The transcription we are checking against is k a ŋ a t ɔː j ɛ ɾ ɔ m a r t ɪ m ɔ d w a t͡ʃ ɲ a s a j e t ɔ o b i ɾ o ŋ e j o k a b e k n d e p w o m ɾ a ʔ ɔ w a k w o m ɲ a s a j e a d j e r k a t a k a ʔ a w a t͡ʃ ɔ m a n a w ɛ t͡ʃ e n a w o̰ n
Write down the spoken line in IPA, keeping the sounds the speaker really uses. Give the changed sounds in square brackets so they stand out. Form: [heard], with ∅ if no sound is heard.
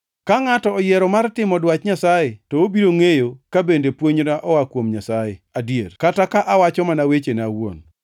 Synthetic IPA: k a ŋ a t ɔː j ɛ ɾ ɔ m a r t ɪ m ɔ d w a t͡ʃ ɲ a s a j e t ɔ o b i ɾ o ŋ e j o k a b e [∅] n d e p w o [ɲ] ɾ a ʔ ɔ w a k w o m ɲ a s a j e a d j e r k a t a k a ʔ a w a t͡ʃ ɔ m a n a w [e] t͡ʃ e n a w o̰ n

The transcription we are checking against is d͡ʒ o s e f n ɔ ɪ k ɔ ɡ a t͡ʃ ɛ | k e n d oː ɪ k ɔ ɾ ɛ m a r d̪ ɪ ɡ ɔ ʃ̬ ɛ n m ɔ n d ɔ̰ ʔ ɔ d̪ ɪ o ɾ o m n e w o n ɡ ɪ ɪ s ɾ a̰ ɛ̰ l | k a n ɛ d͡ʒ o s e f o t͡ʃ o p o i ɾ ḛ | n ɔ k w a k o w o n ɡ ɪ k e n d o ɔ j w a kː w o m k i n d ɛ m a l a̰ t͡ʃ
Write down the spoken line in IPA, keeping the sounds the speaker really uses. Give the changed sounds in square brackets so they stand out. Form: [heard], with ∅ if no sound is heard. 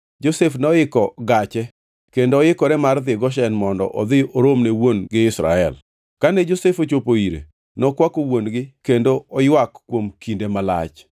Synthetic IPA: d͡ʒ o s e f n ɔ ɪ k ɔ ɡ a t͡ʃ ɛ | k e n d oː ɪ k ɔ ɾ ɛ m a r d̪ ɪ ɡ ɔ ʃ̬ ɛ n m ɔ n d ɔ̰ ʔ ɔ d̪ ɪ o ɾ o m n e w o n ɡ ɪ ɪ s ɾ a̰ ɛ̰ l | k a n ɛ d͡ʒ o s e f o t͡ʃ o p o i ɾ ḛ | n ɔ k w a k o w o n ɡ ɪ k e n d o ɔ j w a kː w o m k i n d [e] m a l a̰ t͡ʃ

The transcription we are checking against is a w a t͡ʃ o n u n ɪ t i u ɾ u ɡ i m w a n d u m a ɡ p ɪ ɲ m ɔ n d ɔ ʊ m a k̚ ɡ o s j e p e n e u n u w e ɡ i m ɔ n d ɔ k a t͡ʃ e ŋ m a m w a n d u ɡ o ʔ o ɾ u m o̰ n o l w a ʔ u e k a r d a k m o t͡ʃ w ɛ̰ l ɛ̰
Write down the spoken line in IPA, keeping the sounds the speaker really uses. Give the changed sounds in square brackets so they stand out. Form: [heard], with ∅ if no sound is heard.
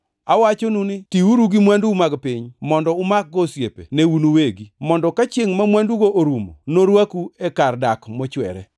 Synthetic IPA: a w a t͡ʃ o n u n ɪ t i u ɾ u ɡ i m w a n d u m a ɡ p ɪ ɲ m ɔ n d ɔ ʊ m a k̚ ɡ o s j e p e n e u n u w e ɡ i m ɔ n d ɔ k a t͡ʃ e ŋ m a m w a n d u ɡ o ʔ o ɾ u m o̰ n o [ɾ] w a [k] u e k a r d a k m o t͡ʃ w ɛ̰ [ɾ] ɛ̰

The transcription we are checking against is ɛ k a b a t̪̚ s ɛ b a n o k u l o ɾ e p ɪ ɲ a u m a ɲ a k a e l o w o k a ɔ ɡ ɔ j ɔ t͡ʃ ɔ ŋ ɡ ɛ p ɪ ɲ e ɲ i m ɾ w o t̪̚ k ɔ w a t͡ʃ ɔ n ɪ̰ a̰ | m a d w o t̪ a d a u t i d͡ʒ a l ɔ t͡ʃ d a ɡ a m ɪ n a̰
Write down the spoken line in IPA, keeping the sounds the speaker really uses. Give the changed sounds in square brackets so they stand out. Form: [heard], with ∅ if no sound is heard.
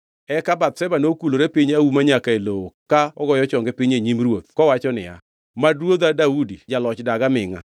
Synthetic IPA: ɛ k a b a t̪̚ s ɛ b a n o k u l o ɾ e p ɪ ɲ a u m a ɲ a k a e l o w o k a ɔ ɡ ɔ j ɔ t͡ʃ ɔ ŋ ɡ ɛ p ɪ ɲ e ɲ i m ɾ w o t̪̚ k ɔ w a t͡ʃ ɔ n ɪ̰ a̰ | m a d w o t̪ a d a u [d] i d͡ʒ a l ɔ t͡ʃ d a ɡ a m ɪ [ŋ] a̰

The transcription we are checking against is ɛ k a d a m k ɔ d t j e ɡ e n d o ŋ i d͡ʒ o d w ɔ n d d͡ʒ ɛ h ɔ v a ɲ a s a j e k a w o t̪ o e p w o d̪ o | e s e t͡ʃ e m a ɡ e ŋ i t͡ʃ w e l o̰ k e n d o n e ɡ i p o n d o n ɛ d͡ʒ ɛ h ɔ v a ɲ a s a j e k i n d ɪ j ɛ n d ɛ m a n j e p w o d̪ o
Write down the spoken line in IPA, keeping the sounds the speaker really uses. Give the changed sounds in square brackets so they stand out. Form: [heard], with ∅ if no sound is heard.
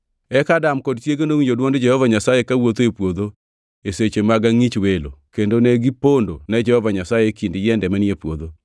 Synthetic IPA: ɛ k a d a m k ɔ d t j e ɡ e n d o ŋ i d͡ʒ o d w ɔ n d d͡ʒ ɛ h ɔ v a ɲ a s a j e k a w o t̪ o e p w o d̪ o | e s e t͡ʃ e m a ɡ [a] ŋ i t͡ʃ w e l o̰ k e n d o n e ɡ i p o n d o n ɛ d͡ʒ ɛ h ɔ v a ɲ a s a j e k i n d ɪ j ɛ n d ɛ m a n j e p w o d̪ o

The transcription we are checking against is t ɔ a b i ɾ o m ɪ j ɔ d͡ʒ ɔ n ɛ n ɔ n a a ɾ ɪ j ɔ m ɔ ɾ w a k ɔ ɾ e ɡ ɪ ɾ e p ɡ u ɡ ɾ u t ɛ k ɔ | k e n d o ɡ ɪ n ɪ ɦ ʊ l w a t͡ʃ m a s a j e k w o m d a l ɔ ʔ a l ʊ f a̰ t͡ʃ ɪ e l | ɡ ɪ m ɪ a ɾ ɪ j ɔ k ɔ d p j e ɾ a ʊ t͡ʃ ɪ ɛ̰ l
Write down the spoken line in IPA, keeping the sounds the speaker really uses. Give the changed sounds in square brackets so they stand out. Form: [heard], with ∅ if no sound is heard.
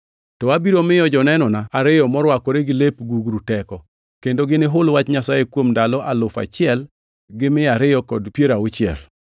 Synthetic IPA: t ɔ a b i ɾ o m ɪ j ɔ d͡ʒ ɔ n ɛ n ɔ n a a ɾ ɪ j ɔ m ɔ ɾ w a k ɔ ɾ e ɡ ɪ [l] e p ɡ u ɡ ɾ u t ɛ k ɔ | k e n d o ɡ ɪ n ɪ ɦ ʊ l w a t͡ʃ [ɲ] a s a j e k w o m d a l ɔ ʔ a l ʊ f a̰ t͡ʃ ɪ [ɛ] l | ɡ ɪ m ɪ a ɾ ɪ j ɔ k ɔ d p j e ɾ a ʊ t͡ʃ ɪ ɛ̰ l

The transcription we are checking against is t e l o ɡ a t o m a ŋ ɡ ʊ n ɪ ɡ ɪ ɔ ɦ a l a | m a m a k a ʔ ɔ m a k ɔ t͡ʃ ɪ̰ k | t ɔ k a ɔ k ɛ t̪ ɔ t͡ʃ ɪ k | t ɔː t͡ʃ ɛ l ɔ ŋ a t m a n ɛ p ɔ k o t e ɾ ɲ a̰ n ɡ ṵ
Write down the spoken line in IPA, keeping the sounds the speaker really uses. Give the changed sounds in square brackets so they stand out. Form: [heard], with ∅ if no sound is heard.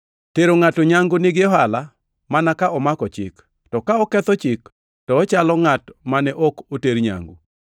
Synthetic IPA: t e [ɾ] o [ŋ] a t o [ɲ] a ŋ ɡ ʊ n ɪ ɡ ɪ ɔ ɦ a l a | m a [n] a k a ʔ ɔ m a k ɔ t͡ʃ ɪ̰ k | t ɔ k a ɔ k ɛ t̪ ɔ t͡ʃ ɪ k | t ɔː t͡ʃ [a] l ɔ ŋ a t m a n ɛ [ʔ] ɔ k o t e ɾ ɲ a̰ [ŋ] ɡ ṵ

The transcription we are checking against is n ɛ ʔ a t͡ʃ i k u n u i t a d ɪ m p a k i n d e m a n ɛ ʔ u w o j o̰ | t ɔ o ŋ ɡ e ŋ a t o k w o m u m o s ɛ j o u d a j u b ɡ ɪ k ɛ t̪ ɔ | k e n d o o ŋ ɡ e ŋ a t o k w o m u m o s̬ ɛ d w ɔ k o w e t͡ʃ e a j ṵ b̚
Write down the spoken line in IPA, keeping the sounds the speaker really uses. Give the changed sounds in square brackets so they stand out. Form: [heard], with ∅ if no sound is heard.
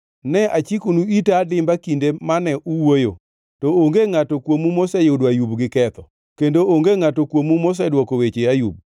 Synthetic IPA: n ɛ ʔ a t͡ʃ i k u n u i t a d ɪ m [b] a k i n d e m a n ɛ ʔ u w o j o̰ | t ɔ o ŋ ɡ e ŋ a t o k w o m u m o s ɛ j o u d a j u b ɡ ɪ k ɛ t̪ ɔ | k e n d o o ŋ ɡ e ŋ a t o k w o m u m o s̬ ɛ d w ɔ k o w e t͡ʃ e a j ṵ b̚

